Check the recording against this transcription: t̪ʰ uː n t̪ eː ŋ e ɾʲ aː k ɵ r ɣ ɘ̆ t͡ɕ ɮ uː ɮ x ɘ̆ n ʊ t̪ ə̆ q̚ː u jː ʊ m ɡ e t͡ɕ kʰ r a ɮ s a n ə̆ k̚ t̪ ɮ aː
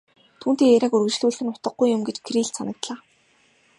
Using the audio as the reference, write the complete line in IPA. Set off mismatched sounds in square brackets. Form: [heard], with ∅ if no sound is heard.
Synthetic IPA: t̪ʰ uː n t̪ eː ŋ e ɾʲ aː k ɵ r ɣ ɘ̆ t͡ɕ ɮ uː ɮ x ɘ̆ n ʊ t̪ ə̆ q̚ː u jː ʊ m ɡ e t͡ɕ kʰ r [i] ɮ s a n ə̆ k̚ t̪ ɮ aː